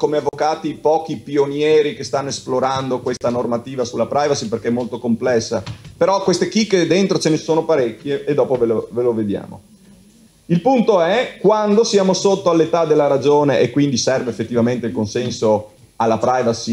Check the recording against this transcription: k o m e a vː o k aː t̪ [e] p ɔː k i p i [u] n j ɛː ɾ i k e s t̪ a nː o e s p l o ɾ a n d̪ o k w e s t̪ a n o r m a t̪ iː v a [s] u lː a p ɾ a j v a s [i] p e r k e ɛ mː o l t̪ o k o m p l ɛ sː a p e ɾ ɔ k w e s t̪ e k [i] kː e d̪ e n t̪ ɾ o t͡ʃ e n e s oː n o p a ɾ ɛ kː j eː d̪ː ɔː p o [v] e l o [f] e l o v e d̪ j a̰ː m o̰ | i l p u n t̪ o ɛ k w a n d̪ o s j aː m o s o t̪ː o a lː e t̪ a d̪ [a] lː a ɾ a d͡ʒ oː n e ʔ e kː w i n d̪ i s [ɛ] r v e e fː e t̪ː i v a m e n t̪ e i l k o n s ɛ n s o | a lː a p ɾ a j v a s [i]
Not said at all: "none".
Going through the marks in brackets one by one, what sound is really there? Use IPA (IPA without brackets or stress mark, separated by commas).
i, o, s, i, i, v, v, e, ɛ, i